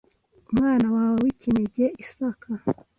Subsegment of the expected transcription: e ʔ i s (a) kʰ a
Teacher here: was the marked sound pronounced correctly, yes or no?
yes